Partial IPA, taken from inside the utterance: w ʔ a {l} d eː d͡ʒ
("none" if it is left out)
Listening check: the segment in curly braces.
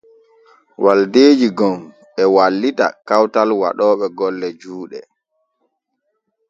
l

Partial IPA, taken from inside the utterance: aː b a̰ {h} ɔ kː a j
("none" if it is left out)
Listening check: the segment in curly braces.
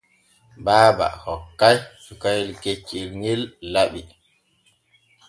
h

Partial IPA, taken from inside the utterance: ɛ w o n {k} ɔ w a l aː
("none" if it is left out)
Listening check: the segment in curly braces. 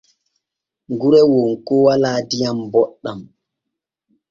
k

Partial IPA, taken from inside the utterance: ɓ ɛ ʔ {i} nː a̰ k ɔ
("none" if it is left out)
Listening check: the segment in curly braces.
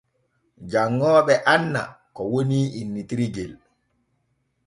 a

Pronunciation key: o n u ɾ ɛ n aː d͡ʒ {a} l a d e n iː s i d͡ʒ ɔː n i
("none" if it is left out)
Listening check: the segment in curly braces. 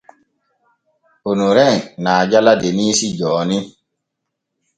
a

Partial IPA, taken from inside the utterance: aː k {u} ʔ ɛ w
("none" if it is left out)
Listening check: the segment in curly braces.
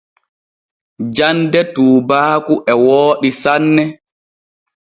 u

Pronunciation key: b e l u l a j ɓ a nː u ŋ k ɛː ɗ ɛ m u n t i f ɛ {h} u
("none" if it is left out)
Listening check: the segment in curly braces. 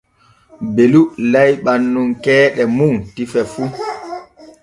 f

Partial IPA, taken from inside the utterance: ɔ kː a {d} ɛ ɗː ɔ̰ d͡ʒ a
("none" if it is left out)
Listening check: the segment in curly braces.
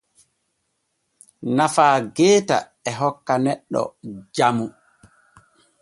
n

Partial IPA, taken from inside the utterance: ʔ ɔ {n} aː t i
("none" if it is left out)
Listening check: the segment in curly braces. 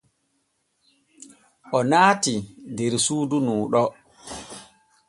n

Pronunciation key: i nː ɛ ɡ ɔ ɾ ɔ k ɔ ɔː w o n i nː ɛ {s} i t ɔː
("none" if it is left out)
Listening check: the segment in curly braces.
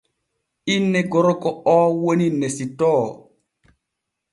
s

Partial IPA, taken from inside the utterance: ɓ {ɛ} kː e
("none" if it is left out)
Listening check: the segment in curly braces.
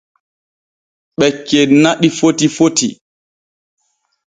ɛ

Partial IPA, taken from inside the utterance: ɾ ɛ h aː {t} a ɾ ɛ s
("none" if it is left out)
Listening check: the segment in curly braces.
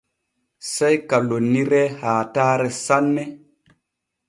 t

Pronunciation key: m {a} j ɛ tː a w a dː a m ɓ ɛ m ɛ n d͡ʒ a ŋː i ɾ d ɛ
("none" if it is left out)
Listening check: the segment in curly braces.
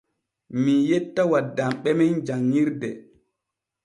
i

